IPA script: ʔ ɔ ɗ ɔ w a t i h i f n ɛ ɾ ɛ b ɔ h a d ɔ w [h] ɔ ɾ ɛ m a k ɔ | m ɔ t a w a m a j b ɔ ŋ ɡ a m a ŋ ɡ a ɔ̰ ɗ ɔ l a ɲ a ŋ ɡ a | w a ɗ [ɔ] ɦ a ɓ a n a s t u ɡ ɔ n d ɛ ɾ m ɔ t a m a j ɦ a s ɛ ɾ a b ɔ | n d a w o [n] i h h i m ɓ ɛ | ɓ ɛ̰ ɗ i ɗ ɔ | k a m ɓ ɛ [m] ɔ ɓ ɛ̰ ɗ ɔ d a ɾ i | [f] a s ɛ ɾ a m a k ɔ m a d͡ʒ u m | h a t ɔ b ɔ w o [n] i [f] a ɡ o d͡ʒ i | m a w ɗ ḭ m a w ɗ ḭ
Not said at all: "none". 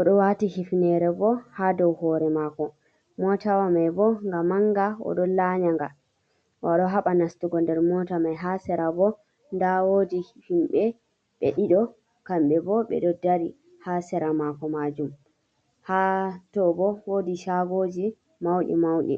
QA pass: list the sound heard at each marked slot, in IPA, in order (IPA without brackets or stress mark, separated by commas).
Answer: h, ɔ, d, b, h, d, ʃ